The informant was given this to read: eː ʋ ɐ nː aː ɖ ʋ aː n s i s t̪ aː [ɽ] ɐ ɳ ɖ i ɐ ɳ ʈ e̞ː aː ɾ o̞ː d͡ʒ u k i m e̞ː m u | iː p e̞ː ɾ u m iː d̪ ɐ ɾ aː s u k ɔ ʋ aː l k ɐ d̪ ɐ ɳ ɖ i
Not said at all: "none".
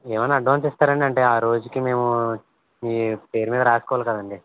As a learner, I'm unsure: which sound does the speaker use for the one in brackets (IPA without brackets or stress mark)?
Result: ɾ